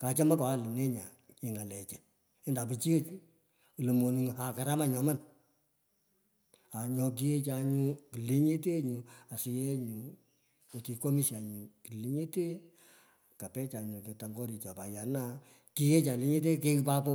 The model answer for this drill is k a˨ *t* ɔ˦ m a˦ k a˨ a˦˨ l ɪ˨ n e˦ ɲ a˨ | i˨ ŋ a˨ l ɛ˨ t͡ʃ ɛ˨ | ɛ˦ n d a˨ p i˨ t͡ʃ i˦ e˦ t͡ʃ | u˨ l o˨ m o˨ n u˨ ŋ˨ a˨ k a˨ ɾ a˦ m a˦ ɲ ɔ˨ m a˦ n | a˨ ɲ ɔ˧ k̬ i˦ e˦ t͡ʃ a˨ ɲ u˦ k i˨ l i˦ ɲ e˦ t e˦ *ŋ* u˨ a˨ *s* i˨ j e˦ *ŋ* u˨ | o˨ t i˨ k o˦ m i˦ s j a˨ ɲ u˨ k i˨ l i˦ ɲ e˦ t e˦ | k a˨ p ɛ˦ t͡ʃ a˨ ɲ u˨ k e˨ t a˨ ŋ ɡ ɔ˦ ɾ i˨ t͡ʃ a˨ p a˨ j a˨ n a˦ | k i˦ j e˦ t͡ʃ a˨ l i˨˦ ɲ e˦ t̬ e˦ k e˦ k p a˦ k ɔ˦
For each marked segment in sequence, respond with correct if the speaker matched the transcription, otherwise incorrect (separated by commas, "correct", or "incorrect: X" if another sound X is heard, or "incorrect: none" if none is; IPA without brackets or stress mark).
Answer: incorrect: t͡ʃ, incorrect: ɲ, correct, incorrect: ɲ